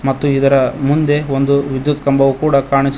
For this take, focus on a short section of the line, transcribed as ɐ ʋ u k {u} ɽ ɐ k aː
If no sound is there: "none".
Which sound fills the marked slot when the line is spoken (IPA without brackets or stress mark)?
uː